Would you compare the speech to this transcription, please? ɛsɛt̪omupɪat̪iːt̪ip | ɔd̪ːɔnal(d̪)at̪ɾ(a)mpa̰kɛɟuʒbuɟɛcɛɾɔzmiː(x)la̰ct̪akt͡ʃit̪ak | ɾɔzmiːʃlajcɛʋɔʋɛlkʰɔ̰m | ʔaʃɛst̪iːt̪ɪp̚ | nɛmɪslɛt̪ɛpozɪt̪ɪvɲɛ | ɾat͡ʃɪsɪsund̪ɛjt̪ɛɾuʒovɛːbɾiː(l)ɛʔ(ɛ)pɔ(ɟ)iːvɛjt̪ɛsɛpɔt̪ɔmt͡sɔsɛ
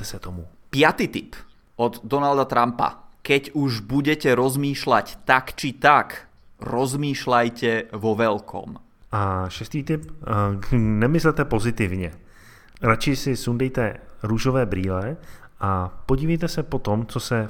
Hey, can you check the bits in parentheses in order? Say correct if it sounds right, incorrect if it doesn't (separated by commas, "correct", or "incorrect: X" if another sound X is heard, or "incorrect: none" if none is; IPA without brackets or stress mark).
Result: correct, correct, incorrect: ʃ, correct, incorrect: a, correct